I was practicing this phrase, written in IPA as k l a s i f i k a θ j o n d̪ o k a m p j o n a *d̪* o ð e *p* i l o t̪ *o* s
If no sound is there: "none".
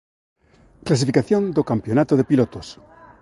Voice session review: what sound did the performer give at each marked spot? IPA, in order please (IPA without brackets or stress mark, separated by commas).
t̪, p, o